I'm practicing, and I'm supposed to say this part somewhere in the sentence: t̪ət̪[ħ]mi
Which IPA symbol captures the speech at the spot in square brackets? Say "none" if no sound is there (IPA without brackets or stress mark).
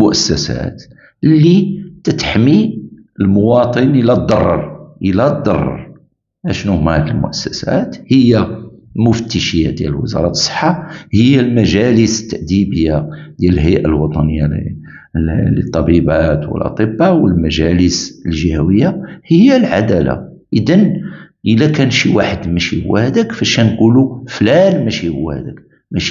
ħ